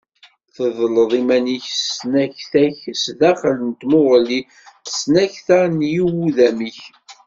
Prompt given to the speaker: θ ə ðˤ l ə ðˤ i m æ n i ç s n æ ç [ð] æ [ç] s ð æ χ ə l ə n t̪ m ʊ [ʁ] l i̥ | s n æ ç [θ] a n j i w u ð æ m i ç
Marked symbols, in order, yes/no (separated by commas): no, yes, yes, yes